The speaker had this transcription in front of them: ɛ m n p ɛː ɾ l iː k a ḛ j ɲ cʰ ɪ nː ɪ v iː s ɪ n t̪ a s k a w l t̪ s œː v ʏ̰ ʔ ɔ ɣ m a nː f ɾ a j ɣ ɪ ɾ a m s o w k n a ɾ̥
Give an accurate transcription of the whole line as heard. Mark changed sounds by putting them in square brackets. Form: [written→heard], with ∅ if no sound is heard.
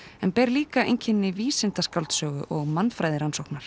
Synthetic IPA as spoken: ɛ [m→∅] n p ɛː ɾ l iː k a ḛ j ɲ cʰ ɪ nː ɪ v iː s ɪ n t̪ a s k a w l t̪ s œː [v→ɣ] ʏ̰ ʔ ɔ ɣ m a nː f ɾ a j [ɣ→ð] ɪ ɾ a [m→n] s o w k n a ɾ̥

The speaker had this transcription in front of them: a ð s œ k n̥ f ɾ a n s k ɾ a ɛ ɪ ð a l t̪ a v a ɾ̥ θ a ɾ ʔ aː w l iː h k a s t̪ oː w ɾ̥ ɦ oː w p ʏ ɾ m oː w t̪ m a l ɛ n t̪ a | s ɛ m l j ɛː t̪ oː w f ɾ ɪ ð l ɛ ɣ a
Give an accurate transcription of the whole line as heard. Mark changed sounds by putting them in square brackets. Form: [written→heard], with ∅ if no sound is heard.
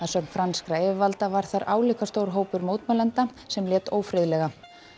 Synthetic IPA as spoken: a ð s œ k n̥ f ɾ a n s k ɾ a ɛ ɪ [ð→v] a l t̪ a v a ɾ̥ θ a ɾ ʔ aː w l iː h k a s t̪ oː w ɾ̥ ɦ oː w p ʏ ɾ m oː w t̪ m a l ɛ n t̪ a | s ɛ m l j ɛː t̪ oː w f ɾ ɪ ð l ɛ ɣ a

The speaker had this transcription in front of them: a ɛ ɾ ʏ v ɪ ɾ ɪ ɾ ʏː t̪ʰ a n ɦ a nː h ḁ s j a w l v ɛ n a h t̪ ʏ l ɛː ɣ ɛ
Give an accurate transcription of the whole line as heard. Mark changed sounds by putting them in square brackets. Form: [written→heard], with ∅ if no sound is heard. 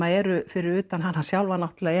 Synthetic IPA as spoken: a ɛ ɾ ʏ [v→f] ɪ ɾ ɪ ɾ ʏː [t̪ʰ→t̪] a n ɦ a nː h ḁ s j a w l v [ɛ→a] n a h t̪ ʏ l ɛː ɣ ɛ

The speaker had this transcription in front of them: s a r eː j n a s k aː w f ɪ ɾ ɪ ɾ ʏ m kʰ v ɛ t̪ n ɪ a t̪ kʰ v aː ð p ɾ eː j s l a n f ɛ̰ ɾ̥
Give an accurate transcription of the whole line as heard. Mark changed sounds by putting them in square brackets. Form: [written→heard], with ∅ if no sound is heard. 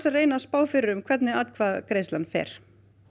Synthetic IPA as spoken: s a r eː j n a s [k→p] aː w f ɪ ɾ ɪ ɾ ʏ m kʰ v ɛ t̪ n ɪ a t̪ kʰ v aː ð [p→k] ɾ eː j s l a n f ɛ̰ ɾ̥

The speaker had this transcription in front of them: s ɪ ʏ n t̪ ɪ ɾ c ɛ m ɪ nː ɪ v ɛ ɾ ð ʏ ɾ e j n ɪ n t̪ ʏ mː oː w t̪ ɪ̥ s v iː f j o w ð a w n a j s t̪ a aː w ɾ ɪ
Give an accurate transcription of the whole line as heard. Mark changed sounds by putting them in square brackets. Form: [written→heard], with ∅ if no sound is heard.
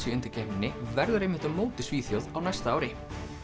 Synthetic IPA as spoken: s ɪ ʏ n t̪ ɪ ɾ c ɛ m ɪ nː ɪ v ɛ ɾ ð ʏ ɾ e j [n→m] ɪ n t̪ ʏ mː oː w t̪ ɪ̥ s v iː [f→θ] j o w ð a w n a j s t̪ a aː w ɾ ɪ

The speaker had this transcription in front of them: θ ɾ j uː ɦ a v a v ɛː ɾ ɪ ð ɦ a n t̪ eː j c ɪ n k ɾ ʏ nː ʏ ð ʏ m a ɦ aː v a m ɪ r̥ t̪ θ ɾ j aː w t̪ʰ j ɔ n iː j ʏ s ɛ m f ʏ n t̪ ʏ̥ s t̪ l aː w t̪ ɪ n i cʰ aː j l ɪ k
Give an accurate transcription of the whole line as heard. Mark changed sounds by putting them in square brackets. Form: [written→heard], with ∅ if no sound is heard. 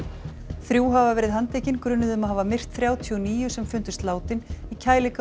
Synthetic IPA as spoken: θ ɾ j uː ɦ a v a v ɛː ɾ ɪ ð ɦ a n t̪ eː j c ɪ n k ɾ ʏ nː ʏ ð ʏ m a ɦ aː v a m ɪ r̥ t̪ θ ɾ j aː w t̪ʰ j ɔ n iː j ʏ s ɛ m f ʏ n t̪ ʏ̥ s t̪ l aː w t̪ ɪ n i cʰ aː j l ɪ k

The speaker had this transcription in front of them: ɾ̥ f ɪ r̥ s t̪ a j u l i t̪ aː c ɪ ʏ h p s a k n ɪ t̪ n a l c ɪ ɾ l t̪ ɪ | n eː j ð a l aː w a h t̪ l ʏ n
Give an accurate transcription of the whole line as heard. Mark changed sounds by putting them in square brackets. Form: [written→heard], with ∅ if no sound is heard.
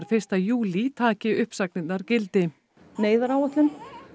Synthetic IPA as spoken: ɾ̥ f ɪ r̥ s t̪ a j [u→uː] l i [t̪→t̪ʰ] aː c ɪ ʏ h p s a k n ɪ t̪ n a [l→ɾ] c ɪ [ɾ→∅] l t̪ ɪ | n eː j ð a [l→ɾ] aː w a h t̪ l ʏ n

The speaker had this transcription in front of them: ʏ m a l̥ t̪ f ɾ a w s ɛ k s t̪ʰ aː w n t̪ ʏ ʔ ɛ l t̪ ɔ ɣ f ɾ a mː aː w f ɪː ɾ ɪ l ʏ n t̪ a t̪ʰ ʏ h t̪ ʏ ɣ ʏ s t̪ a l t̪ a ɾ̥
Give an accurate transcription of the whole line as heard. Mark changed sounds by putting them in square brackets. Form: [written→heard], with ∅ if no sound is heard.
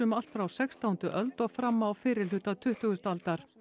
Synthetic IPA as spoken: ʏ m a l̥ t̪ f ɾ a w s ɛ k s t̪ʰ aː w n t̪ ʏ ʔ [ɛ→œ] l t̪ ɔ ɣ f ɾ a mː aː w f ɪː ɾ ɪ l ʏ [n→∅] t̪ a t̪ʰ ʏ h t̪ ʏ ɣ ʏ s t̪ a l t̪ a ɾ̥

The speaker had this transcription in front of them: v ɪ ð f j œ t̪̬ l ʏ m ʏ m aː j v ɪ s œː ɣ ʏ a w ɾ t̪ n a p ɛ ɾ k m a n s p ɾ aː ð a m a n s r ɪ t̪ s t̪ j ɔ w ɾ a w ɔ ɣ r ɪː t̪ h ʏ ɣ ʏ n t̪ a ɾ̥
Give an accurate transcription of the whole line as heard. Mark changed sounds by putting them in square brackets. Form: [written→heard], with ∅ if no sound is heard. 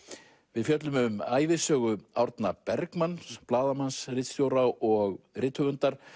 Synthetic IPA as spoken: v ɪ ð f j œ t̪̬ l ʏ m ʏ m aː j v ɪ s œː ɣ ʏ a w ɾ t̪ n a p ɛ ɾ k m a n s p [ɾ→l] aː ð a m a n s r ɪ t̪ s t̪ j [ɔ→o] w ɾ a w ɔ ɣ r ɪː t̪ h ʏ ɣ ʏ n t̪ a ɾ̥

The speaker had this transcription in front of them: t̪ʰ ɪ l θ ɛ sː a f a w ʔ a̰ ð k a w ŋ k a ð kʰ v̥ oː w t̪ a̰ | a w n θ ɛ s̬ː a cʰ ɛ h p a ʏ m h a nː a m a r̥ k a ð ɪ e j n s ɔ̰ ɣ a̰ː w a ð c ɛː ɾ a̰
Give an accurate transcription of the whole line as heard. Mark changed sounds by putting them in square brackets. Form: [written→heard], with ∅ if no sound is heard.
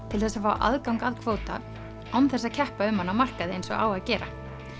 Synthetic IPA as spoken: t̪ʰ ɪ l θ ɛ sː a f a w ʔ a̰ ð k a w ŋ k a ð kʰ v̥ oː w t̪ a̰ | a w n θ ɛ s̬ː a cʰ ɛ h p a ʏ m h a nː a m a r̥ k a ð ɪ e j n s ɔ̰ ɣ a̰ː w a ð c ɛː ɾ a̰

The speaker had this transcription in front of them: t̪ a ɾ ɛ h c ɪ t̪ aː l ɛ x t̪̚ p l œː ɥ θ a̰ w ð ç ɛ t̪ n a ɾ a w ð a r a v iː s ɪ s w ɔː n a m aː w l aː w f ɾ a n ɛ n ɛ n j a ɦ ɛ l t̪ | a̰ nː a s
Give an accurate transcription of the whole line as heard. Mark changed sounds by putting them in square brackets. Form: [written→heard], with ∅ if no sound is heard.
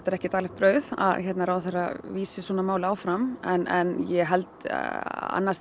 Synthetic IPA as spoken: t̪ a ɾ ɛ h c ɪ t̪ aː l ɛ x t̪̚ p [l→ɾ] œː ɥ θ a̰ [w→∅] ð ç ɛ t̪ n a ɾ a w [ð→θ] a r a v iː s ɪ s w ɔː n a m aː w l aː w f ɾ a [n→m] ɛ n ɛ n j [a→ɛ] ɦ ɛ l t̪ | a̰ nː a s

